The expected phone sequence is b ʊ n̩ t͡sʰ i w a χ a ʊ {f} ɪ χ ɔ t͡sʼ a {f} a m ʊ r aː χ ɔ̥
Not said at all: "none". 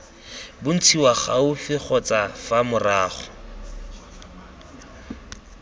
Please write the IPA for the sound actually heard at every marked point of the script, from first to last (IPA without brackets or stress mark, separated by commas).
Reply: f, f